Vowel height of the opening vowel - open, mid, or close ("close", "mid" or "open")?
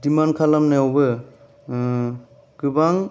close